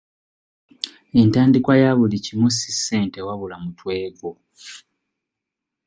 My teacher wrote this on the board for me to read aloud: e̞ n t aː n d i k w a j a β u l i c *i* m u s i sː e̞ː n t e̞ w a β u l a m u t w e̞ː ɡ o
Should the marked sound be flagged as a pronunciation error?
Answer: no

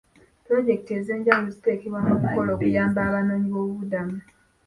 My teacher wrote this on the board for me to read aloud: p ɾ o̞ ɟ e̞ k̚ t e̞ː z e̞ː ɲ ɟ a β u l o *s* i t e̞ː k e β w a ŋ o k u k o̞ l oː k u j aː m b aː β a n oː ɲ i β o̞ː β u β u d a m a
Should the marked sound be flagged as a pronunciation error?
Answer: yes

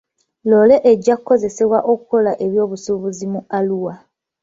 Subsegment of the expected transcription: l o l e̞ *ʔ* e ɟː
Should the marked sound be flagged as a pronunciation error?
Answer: no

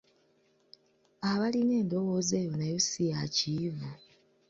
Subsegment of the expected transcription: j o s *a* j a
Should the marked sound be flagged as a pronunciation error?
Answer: yes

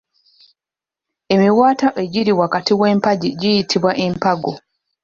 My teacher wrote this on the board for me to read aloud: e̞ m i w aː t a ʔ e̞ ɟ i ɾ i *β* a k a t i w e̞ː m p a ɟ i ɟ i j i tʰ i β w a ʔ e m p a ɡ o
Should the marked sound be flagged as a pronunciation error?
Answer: yes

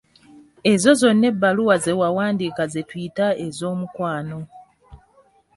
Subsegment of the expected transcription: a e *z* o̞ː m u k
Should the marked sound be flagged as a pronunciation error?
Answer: no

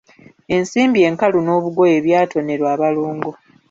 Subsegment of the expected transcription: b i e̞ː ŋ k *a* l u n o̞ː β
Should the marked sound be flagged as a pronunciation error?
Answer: no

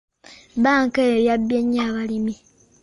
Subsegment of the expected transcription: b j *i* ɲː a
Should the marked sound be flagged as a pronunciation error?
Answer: yes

